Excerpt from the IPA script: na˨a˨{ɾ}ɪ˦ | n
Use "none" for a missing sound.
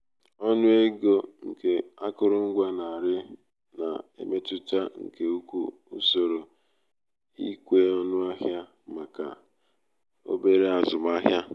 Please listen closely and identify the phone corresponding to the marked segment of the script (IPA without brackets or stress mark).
ɾ